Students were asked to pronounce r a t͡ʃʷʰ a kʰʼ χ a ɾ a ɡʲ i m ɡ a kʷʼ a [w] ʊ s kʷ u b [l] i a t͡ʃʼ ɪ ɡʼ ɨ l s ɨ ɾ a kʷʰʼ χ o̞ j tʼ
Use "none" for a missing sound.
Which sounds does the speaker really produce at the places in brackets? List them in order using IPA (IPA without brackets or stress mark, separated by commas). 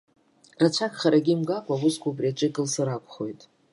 w, r